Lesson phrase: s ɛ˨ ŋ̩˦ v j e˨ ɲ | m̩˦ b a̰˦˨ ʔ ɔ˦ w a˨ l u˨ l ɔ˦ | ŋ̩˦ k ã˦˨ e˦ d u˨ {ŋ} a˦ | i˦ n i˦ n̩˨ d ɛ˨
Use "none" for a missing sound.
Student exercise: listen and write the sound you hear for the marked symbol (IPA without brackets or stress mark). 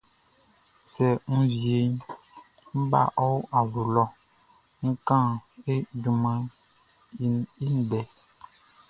m